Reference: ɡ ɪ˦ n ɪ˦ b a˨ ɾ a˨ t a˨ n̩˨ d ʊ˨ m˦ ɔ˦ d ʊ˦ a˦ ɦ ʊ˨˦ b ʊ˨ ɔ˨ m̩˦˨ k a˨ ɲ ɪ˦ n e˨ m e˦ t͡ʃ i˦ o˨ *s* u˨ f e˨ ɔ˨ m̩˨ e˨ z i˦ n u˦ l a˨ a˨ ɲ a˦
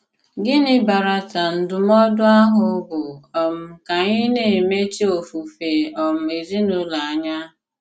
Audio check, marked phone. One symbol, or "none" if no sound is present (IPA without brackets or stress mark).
f